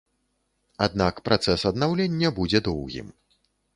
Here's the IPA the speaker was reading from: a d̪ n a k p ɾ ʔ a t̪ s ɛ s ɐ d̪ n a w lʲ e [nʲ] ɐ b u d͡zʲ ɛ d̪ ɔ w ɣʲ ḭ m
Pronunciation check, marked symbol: incorrect: nʲː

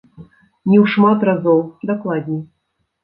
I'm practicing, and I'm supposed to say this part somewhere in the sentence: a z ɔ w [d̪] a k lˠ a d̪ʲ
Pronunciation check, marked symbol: correct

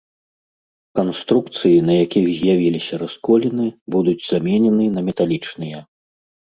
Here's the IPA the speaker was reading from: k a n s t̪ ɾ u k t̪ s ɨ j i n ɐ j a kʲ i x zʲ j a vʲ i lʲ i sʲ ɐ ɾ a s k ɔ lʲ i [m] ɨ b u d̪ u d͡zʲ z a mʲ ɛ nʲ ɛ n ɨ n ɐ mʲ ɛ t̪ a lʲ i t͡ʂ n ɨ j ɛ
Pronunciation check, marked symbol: incorrect: n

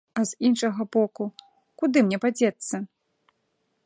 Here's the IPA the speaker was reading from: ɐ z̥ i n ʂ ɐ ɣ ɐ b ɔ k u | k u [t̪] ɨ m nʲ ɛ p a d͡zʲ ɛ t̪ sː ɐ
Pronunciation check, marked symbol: incorrect: d̪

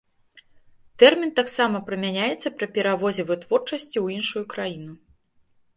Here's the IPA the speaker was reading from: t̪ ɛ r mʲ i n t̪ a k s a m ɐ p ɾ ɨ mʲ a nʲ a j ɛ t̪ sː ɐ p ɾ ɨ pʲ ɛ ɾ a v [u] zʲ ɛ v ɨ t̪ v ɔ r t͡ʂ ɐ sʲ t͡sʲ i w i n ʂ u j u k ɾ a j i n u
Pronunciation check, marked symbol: incorrect: ɔ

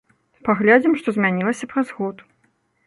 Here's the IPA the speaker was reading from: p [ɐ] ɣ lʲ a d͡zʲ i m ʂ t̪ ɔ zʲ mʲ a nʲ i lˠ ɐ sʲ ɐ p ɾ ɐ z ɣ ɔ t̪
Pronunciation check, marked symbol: incorrect: a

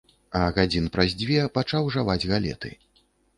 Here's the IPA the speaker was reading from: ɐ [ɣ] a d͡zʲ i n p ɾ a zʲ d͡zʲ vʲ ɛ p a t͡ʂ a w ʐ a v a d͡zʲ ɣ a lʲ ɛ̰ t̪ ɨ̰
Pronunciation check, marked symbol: correct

